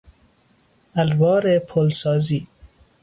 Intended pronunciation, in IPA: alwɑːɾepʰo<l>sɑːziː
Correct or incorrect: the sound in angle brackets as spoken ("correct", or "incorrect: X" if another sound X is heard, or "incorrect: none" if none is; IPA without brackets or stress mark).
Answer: correct